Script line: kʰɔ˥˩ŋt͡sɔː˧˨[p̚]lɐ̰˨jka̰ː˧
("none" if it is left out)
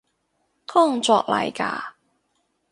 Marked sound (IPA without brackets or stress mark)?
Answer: k̚